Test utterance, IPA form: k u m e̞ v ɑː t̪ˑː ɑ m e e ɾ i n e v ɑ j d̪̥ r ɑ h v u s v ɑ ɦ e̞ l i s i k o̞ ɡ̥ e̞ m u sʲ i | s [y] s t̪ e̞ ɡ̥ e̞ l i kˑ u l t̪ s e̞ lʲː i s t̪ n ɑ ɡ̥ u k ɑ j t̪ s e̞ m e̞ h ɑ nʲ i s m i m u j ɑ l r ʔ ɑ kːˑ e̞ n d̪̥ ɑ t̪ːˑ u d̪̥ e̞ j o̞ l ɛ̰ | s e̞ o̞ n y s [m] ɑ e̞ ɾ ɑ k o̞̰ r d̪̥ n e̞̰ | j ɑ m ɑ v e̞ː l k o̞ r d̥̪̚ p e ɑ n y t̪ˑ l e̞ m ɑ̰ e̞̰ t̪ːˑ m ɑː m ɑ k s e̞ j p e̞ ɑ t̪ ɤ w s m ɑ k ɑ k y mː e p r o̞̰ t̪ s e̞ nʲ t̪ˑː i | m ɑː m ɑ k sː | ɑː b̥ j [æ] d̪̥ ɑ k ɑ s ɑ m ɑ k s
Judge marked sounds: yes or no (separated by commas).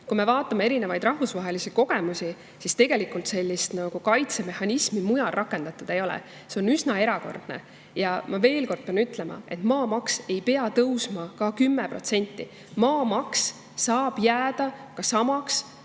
no, no, no